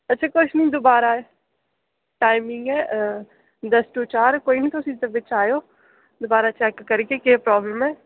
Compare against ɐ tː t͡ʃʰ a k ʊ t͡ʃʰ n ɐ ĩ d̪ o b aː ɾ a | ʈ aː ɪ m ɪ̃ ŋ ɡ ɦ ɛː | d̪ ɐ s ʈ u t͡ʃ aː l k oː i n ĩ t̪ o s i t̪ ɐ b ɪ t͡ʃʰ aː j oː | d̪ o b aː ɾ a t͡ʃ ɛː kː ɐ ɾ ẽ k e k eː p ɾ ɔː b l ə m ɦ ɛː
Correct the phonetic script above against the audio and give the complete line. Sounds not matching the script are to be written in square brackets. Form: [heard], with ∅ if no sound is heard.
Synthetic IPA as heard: ɐ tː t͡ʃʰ a k ʊ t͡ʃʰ n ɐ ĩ d̪ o b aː ɾ a | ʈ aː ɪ m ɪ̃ ŋ ɡ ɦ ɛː | d̪ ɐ s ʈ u t͡ʃ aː [ɾ] k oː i n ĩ t̪ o s i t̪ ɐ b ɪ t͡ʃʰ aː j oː | d̪ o b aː ɾ a t͡ʃ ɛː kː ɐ ɾ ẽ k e k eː p ɾ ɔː b l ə m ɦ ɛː

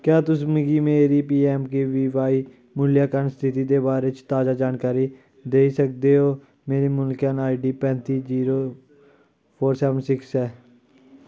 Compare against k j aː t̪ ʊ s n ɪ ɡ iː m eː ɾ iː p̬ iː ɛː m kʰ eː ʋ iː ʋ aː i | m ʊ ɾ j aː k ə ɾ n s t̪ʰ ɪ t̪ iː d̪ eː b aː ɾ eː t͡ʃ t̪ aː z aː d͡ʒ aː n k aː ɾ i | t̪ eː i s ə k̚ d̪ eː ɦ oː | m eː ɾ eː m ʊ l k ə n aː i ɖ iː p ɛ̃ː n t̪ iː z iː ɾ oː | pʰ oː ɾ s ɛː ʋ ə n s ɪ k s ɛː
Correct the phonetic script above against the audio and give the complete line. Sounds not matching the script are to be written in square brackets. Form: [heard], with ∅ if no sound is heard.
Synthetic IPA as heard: k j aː t̪ ʊ s [m] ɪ ɡ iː m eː ɾ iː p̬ iː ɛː m [k] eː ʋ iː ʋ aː i | m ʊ [l] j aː k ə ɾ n s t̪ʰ ɪ t̪ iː d̪ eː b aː ɾ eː t͡ʃ t̪ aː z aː d͡ʒ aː n k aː ɾ i | [d̪] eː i s ə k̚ d̪ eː ɦ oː | m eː ɾ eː m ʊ l k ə n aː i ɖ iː p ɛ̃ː n t̪ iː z iː ɾ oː | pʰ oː ɾ s ɛː ʋ ə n s ɪ k s ɛː

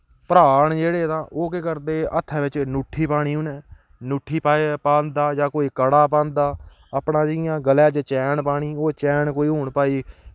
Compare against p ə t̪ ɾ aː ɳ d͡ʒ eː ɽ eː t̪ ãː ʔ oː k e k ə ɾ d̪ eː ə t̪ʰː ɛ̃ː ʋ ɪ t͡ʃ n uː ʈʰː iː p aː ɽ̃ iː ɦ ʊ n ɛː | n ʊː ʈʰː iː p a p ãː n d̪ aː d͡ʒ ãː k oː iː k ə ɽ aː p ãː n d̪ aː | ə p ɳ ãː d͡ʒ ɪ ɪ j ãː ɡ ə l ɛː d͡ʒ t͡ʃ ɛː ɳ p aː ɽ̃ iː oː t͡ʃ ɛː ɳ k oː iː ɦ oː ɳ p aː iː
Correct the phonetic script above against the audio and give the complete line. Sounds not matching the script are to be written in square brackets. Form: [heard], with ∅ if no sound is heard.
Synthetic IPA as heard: p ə [∅] ɾ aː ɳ d͡ʒ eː ɽ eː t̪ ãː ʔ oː k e k ə ɾ d̪ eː ə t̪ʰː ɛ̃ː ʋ ɪ t͡ʃ n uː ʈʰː iː p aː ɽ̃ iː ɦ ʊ n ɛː | n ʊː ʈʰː iː p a p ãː n d̪ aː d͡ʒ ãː k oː iː k ə ɽ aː p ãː n d̪ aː | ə p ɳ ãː d͡ʒ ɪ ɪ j ãː ɡ ə l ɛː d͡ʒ t͡ʃ ɛː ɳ p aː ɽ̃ iː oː t͡ʃ ɛː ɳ k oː iː ɦ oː ɳ p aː iː

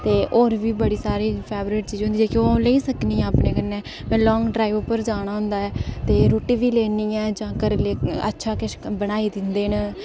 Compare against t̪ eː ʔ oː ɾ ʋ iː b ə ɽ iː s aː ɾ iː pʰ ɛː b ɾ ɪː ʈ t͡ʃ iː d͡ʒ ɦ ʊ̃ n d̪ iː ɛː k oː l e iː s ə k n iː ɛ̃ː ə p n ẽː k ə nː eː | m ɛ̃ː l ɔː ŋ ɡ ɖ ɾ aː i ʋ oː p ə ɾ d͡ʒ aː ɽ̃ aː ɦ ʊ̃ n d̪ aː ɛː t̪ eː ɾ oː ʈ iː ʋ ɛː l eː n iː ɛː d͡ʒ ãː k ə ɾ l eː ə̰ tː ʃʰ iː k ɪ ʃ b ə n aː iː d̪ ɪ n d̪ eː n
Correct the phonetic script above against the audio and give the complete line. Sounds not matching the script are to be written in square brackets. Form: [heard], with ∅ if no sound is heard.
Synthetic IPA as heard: t̪ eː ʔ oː ɾ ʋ iː b ə ɽ iː s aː ɾ iː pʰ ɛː b ɾ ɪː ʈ t͡ʃ iː d͡ʒ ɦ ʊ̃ n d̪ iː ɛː k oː l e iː s ə k n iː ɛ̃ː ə p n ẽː k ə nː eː | m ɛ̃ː l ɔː ŋ ɡ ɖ ɾ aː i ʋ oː p ə ɾ d͡ʒ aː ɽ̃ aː ɦ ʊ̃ n d̪ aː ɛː t̪ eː ɾ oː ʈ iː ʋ [iː] l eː n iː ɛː d͡ʒ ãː k ə ɾ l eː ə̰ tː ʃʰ [aː] k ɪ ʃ b ə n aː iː d̪ ɪ n d̪ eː n

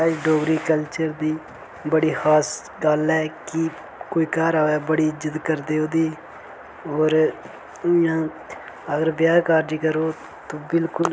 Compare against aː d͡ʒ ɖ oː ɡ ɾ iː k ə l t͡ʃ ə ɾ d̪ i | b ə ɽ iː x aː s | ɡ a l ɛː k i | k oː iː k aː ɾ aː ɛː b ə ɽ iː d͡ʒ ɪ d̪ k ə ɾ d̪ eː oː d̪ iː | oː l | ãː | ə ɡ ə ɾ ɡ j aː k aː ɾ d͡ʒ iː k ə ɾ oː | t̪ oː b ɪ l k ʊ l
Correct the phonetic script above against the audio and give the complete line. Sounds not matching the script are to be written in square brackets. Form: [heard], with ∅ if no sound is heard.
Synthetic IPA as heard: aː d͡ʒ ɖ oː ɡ ɾ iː k ə l t͡ʃ ə ɾ d̪ [iː] | b ə ɽ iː x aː s | ɡ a l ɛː k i | k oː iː k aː ɾ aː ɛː b ə ɽ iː d͡ʒ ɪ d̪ k ə ɾ d̪ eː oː d̪ iː | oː [ɾ] | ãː | ə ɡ ə ɾ [b] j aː k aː ɾ d͡ʒ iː k ə ɾ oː | t̪ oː b ɪ l k ʊ l

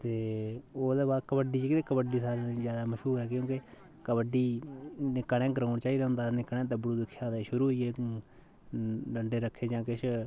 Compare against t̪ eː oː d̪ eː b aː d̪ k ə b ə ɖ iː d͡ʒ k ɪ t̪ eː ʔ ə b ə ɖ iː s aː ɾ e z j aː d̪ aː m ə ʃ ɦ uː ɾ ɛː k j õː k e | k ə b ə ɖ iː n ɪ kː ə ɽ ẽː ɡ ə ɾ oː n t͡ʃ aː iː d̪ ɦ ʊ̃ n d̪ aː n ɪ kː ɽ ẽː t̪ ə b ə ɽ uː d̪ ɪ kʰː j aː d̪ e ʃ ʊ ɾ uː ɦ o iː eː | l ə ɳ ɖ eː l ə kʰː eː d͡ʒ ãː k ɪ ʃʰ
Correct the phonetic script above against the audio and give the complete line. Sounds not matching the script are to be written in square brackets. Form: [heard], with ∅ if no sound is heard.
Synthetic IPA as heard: t̪ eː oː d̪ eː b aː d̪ k ə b ə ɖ iː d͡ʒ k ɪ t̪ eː [k] ə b ə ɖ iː s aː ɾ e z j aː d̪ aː m ə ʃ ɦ uː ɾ ɛː k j õː k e | k ə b ə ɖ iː n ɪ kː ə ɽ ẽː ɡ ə ɾ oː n t͡ʃ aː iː d̪ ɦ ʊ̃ n d̪ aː n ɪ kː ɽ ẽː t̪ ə b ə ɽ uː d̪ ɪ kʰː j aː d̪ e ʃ ʊ ɾ uː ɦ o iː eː | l ə ɳ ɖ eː [ɾ] ə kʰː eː d͡ʒ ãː k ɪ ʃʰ

